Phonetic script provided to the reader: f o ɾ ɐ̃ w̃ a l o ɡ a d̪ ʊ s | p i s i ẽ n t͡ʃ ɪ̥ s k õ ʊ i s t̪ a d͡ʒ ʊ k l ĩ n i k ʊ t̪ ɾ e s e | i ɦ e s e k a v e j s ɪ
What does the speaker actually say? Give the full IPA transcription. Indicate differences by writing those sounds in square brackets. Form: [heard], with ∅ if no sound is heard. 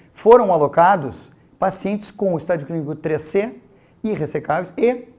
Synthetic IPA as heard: f o ɾ ɐ̃ w̃ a l o [k] a d̪ ʊ s | p [a] s i ẽ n t͡ʃ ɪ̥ s k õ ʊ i s t̪ a d͡ʒ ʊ k l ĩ n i k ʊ t̪ ɾ e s e | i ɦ e s e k a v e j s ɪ